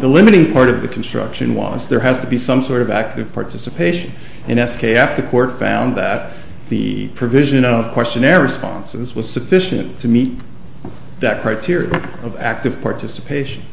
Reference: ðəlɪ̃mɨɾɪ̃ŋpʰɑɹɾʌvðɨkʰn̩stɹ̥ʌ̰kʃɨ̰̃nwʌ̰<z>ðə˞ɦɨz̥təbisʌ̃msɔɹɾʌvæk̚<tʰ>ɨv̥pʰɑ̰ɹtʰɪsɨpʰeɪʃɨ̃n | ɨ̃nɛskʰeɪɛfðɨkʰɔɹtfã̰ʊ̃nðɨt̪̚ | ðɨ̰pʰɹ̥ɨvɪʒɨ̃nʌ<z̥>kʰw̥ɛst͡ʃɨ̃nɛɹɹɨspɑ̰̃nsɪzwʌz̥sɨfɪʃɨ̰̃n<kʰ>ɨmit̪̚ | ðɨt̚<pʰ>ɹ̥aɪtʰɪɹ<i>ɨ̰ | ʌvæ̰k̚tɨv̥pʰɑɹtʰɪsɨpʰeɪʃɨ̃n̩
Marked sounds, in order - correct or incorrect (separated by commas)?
correct, incorrect, incorrect, incorrect, incorrect, correct